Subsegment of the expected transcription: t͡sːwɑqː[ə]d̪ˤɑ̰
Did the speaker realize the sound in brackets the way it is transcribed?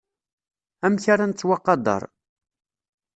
no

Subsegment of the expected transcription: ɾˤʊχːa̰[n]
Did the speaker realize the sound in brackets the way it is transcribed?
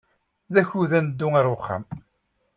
no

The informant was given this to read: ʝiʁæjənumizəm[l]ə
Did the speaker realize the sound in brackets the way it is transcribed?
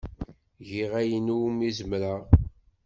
no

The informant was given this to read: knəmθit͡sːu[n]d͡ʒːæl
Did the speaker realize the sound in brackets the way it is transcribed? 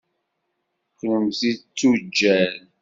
no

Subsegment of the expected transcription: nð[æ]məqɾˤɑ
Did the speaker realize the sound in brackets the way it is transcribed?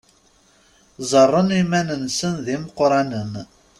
no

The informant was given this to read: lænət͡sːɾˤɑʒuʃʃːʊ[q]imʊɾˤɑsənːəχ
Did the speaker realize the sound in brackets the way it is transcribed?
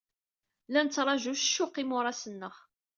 yes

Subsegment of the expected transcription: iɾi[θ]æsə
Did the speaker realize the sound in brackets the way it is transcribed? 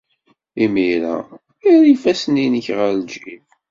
no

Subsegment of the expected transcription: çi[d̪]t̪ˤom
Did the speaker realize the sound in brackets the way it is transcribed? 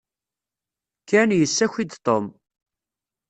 yes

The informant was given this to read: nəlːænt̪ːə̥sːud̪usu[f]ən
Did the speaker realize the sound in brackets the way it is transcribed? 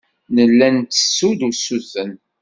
no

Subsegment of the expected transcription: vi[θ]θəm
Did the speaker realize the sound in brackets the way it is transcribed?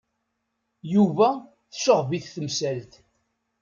yes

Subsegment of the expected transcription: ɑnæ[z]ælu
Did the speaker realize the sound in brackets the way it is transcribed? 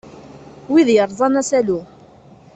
no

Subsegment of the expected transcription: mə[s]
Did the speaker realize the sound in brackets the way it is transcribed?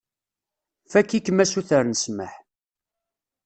no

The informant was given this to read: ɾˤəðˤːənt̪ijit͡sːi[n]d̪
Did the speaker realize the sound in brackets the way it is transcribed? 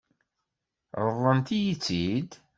no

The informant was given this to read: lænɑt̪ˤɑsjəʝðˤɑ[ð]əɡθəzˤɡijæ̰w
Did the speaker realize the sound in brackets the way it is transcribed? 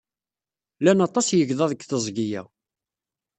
yes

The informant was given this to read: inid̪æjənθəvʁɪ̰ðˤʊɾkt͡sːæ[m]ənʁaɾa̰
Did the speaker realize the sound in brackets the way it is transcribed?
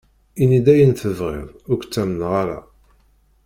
yes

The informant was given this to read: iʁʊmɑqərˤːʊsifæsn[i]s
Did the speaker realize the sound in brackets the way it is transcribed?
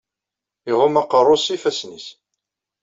yes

